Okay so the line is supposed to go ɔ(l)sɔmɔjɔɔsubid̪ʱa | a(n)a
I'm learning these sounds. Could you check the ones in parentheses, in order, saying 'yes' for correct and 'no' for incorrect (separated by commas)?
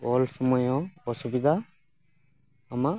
yes, no